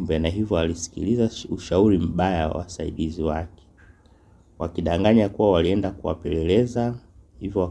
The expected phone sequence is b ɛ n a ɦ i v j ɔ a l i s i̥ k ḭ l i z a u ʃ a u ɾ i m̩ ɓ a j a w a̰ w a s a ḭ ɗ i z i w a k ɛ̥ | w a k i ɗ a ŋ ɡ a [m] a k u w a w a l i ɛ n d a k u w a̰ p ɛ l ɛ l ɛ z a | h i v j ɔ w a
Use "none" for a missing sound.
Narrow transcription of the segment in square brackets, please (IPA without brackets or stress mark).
ɲ